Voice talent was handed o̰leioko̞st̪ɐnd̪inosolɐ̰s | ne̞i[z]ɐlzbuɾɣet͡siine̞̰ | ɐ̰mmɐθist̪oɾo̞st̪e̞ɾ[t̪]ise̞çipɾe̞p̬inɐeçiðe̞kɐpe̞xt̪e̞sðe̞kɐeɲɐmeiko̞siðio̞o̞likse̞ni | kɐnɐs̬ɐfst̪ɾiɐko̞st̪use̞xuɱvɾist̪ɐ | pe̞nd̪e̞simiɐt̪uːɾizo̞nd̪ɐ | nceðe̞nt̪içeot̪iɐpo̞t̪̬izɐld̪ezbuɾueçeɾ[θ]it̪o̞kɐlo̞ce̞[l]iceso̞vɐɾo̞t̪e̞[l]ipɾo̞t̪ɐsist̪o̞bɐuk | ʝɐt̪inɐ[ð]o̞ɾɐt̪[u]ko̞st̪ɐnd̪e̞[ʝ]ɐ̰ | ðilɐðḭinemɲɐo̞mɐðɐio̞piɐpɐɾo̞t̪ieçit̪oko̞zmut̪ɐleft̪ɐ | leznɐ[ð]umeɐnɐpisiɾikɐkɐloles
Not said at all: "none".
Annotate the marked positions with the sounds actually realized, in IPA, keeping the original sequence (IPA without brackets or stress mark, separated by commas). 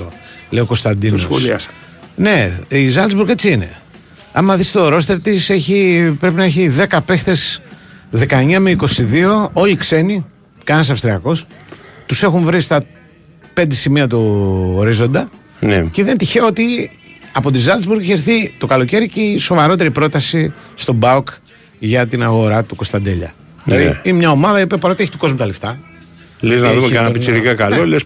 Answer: z, t̪, θ, ɾ, ɾ, ɣ, u, ʎ, ð